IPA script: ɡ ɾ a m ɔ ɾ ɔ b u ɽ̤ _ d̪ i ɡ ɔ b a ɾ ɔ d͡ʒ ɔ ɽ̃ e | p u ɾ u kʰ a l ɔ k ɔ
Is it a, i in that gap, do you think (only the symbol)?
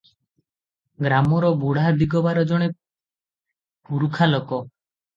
a